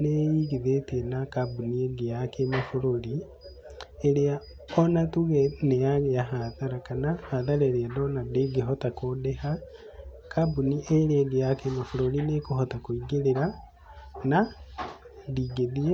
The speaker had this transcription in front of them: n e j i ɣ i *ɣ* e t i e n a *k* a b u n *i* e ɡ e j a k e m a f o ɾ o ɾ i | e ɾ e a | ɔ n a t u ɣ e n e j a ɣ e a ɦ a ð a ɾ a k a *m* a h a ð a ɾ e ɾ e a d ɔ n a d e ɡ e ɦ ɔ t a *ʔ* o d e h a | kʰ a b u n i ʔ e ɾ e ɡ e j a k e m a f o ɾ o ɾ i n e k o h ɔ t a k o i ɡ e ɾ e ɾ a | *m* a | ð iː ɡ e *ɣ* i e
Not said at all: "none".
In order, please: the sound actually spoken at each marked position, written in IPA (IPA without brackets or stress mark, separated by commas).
ð, k, i, n, k, n, ð